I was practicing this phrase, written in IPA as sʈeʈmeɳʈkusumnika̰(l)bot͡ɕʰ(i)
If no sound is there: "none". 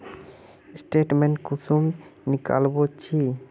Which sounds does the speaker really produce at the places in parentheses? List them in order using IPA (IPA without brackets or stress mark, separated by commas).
l, i